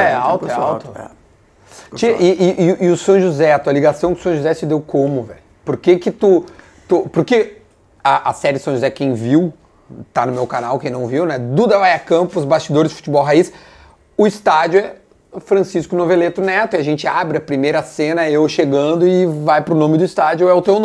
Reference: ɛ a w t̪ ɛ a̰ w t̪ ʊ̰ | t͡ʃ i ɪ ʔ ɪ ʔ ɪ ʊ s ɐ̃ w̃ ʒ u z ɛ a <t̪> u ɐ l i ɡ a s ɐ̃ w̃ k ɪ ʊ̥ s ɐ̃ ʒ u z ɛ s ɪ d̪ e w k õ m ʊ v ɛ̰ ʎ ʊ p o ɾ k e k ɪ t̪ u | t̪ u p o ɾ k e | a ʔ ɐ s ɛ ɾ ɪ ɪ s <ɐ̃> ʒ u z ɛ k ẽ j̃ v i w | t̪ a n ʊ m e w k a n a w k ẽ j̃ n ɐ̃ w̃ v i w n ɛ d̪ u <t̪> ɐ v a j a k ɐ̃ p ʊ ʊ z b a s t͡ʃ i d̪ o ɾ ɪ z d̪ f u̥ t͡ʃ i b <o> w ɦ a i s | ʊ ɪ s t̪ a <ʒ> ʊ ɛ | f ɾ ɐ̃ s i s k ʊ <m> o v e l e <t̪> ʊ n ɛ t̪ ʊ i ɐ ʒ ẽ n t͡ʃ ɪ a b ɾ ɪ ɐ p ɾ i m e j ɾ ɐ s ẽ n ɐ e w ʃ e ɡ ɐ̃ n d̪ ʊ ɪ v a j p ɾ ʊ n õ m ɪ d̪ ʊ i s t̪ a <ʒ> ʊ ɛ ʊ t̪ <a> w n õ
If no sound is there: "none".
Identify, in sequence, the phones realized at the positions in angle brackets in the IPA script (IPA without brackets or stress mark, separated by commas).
t̪, ɐ̃, d̪, ɔ, d͡ʒ, n, t̪, d͡ʒ, e